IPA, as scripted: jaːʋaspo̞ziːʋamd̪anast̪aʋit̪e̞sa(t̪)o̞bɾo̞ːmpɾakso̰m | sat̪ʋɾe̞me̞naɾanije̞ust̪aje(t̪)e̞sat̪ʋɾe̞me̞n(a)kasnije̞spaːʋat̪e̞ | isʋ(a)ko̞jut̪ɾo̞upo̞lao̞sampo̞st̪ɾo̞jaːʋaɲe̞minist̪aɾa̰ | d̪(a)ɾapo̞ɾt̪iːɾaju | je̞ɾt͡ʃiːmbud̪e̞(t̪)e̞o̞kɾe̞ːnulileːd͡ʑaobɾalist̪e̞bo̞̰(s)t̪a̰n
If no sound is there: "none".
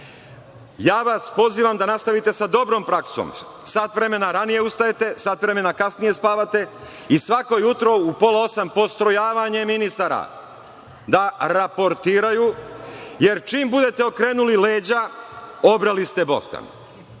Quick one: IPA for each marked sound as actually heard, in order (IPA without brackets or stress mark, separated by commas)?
d̪, t̪, a, a, a, t̪, s